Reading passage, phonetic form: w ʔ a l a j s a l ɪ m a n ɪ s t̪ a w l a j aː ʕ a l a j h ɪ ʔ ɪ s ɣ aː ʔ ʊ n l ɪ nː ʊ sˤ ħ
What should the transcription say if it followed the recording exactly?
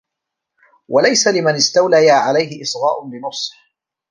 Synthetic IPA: w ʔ a l a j s a l ɪ m a n ɪ s t̪ a w l a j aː ʕ a l a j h ɪ ʔ ɪ s ɣ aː ʔ ʊ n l ɪ n ʊ sˤ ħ